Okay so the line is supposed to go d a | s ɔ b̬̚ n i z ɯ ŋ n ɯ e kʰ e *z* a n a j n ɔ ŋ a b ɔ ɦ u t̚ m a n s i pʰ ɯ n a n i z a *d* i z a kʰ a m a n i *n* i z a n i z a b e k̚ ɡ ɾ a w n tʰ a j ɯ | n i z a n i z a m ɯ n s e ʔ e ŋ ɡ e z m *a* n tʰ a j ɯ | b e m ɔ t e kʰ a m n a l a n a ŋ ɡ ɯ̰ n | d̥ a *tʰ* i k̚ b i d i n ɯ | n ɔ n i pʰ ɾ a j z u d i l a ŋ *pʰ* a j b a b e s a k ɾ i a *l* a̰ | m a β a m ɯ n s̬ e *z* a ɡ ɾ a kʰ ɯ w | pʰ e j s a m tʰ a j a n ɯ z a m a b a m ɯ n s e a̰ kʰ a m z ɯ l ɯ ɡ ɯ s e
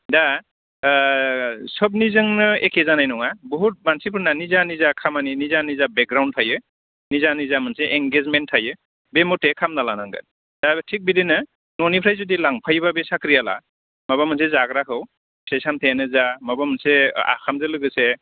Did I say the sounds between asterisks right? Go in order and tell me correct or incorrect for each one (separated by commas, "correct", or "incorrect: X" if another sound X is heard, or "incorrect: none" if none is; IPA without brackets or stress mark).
correct, incorrect: n, correct, incorrect: e, correct, correct, correct, correct